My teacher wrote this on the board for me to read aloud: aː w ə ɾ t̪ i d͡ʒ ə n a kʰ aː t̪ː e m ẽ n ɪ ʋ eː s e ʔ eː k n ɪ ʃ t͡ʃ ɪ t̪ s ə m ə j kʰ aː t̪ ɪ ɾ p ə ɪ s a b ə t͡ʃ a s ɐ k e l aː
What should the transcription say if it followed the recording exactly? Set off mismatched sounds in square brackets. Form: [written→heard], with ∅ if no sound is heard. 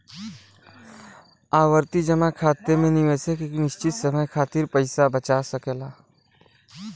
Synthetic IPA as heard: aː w ə ɾ t̪ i d͡ʒ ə [n→m] a kʰ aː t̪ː e m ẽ n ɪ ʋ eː s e [ʔ→k] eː k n ɪ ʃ t͡ʃ ɪ t̪ s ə m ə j kʰ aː t̪ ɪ ɾ p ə ɪ s a b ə t͡ʃ a s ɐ k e l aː